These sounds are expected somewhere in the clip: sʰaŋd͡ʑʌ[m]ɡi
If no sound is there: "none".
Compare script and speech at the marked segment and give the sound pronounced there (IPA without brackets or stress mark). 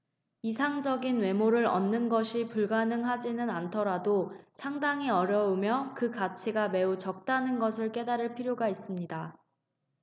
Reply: none